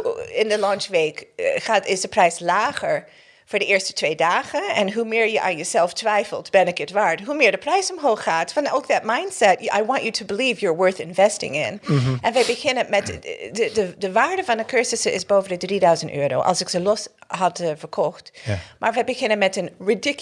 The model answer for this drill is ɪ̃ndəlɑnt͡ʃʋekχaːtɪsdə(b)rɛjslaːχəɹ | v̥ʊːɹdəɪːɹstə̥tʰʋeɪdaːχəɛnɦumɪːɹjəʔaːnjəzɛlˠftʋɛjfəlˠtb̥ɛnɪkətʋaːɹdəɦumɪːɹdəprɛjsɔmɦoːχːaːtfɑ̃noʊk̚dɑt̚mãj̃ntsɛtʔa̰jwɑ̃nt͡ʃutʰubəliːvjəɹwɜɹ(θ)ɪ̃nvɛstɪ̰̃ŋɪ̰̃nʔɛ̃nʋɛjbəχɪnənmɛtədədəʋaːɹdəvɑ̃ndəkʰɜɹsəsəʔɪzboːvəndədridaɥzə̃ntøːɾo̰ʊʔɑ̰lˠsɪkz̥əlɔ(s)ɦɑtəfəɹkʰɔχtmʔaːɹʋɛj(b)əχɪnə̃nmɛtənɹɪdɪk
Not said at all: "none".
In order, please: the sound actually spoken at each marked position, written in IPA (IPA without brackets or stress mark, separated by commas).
p, θ, s, b